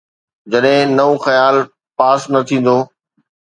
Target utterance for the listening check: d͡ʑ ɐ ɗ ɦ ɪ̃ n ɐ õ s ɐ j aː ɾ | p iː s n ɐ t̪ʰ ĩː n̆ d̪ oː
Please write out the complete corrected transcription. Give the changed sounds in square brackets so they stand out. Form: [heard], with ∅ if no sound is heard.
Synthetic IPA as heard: d͡ʑ ɐ ɗ ɦ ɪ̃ n ɐ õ [x] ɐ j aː [l] | p [aː] s n ɐ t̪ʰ ĩː n̆ d̪ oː